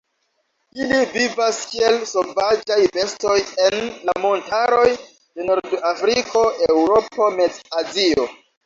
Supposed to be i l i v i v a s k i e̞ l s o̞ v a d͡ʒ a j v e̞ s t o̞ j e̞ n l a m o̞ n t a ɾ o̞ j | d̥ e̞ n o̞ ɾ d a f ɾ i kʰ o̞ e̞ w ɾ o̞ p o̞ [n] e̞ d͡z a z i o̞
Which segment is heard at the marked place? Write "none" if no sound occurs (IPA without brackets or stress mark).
m